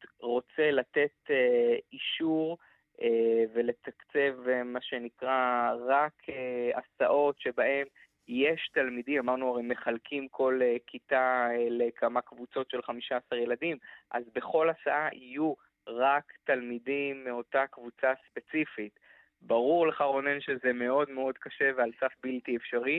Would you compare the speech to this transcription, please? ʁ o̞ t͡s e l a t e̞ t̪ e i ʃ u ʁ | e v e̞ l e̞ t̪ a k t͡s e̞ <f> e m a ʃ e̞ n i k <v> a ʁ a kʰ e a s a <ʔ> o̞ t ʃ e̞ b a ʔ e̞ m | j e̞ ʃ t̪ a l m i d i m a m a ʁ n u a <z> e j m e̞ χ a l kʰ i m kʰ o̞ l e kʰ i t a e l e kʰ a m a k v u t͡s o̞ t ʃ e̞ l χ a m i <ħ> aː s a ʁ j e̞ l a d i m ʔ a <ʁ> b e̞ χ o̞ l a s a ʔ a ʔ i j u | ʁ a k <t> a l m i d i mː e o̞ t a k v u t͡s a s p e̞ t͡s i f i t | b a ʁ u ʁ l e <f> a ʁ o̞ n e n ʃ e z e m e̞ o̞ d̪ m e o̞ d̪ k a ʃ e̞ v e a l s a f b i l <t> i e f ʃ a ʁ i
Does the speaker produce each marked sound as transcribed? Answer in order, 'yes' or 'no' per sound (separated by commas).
no, no, yes, no, no, no, yes, no, yes